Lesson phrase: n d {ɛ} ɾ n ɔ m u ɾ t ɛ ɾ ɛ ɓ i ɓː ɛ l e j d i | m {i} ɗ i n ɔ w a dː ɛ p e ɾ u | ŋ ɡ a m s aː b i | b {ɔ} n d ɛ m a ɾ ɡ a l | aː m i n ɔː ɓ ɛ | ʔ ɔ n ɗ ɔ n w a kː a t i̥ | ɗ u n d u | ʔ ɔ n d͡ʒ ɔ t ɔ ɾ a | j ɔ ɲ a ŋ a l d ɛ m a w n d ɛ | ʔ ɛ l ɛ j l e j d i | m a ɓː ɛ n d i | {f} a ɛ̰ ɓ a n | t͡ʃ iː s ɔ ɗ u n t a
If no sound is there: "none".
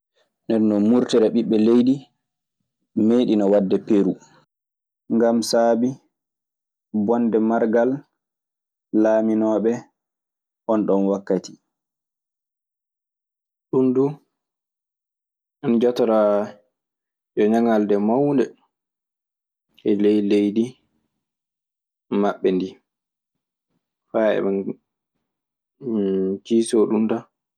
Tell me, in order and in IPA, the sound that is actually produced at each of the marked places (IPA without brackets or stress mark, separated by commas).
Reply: ɛ, e, ɔ, f